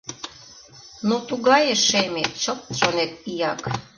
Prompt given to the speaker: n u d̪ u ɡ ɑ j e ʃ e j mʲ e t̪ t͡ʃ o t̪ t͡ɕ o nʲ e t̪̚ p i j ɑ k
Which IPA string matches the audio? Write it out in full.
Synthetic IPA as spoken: n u t̪ u ɡ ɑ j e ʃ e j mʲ e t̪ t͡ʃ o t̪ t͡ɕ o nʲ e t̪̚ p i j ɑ k